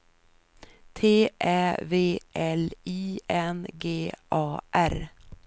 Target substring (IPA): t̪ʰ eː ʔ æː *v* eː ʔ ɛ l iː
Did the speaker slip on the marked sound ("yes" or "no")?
no